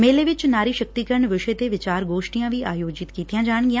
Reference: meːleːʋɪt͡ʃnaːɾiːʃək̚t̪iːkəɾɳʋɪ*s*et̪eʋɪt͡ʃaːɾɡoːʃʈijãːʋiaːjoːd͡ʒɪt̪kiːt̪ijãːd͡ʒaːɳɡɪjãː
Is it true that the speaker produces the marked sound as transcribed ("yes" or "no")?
no